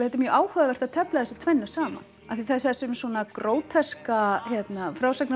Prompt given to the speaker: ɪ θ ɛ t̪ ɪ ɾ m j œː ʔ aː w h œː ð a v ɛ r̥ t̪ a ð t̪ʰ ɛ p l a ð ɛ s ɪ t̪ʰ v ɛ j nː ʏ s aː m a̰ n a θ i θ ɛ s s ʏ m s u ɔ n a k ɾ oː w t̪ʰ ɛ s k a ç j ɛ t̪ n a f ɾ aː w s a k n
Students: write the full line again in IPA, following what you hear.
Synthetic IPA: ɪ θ ɛ t̪ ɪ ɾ m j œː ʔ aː w h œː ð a v ɛ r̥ t̪ a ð t̪ʰ ɛ p l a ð ɛ s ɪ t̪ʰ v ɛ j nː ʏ s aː m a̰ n a θ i θ ɛ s s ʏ m s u ɔ n a k ɾ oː w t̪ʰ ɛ s k a ç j ɛ t̪ n a f ɾ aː w s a k n